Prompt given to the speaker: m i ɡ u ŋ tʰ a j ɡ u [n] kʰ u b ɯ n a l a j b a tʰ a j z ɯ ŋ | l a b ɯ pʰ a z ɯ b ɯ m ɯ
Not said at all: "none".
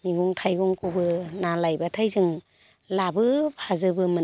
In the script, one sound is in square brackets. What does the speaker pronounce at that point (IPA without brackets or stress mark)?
ŋ